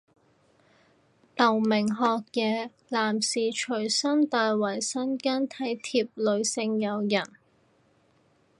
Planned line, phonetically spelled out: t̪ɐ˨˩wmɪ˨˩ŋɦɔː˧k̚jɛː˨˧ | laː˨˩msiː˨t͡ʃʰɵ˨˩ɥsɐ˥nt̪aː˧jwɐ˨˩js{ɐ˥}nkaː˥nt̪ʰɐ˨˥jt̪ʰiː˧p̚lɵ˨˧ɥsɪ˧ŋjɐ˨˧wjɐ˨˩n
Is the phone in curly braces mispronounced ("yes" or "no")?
no